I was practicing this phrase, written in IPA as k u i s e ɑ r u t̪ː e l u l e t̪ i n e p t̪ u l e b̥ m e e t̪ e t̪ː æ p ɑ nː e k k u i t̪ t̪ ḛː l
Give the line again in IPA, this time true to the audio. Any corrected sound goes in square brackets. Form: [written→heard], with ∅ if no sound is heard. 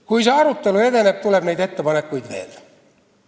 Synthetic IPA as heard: k u i s e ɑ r u t̪ː e l u [l→∅] e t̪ [i→e] n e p t̪ u l e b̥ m e [e→i] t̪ e t̪ː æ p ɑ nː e k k u i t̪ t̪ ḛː l